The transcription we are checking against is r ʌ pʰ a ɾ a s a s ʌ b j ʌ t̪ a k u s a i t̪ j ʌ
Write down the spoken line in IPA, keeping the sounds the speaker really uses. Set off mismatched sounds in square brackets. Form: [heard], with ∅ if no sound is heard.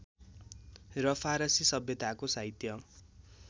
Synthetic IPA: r ʌ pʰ a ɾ [ʌ] s [i] s ʌ b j ʌ t̪ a k [o] s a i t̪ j ʌ

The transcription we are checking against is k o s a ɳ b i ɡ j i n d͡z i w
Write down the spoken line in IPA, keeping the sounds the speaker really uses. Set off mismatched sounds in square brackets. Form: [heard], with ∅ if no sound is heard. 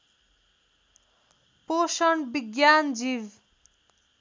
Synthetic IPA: [p] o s [ʌ] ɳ b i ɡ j [a] n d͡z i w

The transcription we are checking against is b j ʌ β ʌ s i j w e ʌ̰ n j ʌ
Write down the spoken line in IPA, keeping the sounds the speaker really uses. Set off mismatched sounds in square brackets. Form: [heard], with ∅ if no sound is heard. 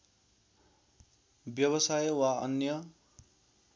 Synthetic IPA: b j ʌ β ʌ s [a] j w [a] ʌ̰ n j ʌ

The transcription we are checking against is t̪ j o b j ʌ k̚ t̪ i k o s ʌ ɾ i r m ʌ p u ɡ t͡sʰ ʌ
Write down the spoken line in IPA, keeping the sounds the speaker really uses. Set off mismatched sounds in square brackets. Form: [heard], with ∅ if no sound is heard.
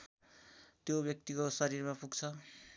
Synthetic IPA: t̪ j o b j ʌ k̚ t̪ i k o s ʌ ɾ i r m [a] p u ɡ t͡sʰ ʌ

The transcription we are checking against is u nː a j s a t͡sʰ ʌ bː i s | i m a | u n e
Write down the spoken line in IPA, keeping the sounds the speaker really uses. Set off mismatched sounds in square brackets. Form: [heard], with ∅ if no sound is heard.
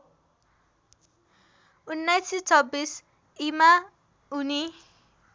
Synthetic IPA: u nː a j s [i] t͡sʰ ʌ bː i s | i m a | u n [i]

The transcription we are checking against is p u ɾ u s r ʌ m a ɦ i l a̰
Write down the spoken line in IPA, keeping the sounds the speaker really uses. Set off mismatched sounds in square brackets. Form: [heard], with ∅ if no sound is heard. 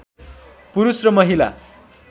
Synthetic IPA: p u ɾ u s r ʌ m [ʌ] ɦ i l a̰

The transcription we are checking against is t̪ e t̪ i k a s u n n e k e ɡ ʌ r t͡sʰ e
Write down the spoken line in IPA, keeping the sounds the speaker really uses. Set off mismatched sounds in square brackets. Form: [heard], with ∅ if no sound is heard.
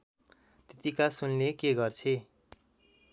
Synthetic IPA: t̪ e t̪ i k a s u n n e k e ɡ ʌ r t͡sʰ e

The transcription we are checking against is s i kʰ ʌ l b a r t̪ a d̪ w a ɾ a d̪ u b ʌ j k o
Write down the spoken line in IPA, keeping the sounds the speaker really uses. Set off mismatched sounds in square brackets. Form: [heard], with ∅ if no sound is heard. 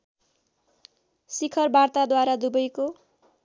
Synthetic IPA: s i kʰ ʌ [r] b a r t̪ a d̪ w a ɾ a d̪ u b ʌ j k o

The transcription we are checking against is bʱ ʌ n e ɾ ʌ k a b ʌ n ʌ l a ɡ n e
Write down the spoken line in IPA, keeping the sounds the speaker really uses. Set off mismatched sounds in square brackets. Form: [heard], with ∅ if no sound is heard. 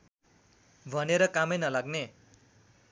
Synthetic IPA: bʱ ʌ n e ɾ ʌ k a [m] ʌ n ʌ l a ɡ n e

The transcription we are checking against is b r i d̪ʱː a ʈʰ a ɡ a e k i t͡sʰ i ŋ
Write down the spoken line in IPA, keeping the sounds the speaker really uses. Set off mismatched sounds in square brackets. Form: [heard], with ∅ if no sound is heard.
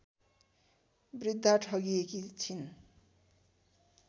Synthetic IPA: b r i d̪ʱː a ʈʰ [ʌ] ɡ [i] e k i t͡sʰ i [n]

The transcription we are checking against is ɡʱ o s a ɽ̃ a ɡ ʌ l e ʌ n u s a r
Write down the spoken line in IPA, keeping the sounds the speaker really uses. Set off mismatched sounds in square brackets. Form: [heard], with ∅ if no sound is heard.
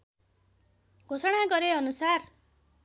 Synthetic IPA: ɡʱ o s [ʌ] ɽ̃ a ɡ ʌ [ɾ] e ʌ n u s a r

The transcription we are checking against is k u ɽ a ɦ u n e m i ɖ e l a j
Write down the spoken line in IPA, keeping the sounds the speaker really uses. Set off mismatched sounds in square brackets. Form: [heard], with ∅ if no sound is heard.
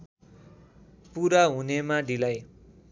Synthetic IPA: [p] u [ɾ] a ɦ u n e m [a] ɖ [i] l a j

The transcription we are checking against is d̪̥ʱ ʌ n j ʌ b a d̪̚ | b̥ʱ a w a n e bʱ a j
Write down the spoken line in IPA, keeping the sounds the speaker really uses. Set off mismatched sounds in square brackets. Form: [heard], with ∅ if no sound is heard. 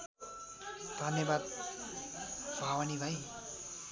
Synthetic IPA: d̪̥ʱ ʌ n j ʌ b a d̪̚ | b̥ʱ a w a n [i] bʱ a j

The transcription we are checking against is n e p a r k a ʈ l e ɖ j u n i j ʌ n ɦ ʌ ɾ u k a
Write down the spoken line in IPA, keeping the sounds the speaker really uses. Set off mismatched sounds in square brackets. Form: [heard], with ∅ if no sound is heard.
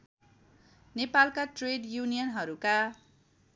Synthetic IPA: n e p a [l] k a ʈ [r] e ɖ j u n i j ʌ n ɦ ʌ ɾ u k a

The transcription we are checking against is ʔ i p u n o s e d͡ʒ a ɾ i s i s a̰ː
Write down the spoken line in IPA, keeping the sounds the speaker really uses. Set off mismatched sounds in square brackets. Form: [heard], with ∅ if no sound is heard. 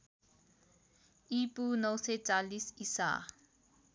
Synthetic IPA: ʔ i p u n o s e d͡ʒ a [l] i s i s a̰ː

